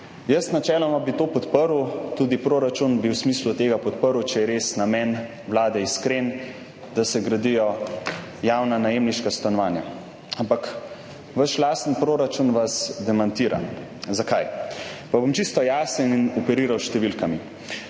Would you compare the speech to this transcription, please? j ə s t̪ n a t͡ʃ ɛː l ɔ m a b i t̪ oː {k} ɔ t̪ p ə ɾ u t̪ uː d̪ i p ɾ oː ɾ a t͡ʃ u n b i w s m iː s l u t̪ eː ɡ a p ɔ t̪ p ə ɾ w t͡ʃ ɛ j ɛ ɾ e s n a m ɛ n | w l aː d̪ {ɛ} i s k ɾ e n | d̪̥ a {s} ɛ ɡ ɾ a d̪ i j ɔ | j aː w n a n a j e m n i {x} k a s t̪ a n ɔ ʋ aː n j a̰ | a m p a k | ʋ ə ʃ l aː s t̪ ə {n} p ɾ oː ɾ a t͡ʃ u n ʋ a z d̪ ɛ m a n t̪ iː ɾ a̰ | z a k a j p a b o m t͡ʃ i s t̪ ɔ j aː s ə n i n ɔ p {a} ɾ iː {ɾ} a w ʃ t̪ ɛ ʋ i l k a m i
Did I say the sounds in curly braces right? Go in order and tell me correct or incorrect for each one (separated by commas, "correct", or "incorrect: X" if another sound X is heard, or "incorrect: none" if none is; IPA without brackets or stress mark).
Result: incorrect: p, correct, correct, incorrect: ʃ, correct, incorrect: ɛ, correct